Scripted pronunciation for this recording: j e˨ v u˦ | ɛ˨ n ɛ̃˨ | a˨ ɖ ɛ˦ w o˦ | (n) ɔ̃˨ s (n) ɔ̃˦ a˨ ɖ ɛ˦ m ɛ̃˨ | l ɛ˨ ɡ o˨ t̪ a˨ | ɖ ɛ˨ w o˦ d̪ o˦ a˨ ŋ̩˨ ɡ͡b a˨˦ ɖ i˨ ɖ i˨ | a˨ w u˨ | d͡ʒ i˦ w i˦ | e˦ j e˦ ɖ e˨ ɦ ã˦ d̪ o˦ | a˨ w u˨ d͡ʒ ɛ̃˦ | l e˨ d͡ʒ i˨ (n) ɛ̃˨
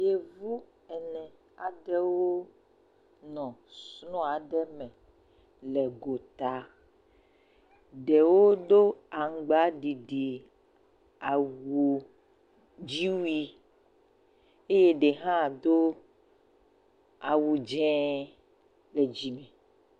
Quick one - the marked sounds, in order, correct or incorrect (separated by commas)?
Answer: correct, correct, incorrect